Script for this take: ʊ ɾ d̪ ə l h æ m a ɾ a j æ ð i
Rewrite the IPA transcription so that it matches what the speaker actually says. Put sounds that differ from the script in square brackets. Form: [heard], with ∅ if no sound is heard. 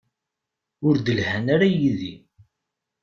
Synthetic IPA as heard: ʊ ɾ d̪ ə l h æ [n] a ɾ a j [i] ð i